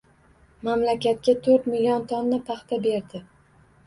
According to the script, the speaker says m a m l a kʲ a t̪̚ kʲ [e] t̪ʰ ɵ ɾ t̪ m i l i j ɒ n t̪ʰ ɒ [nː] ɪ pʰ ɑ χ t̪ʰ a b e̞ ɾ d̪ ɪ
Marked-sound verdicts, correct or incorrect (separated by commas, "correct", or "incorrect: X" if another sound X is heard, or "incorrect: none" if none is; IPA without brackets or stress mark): incorrect: a, correct